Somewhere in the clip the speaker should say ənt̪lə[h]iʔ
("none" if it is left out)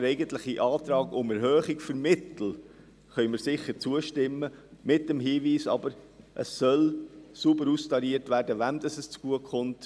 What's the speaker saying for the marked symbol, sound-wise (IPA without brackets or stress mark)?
χ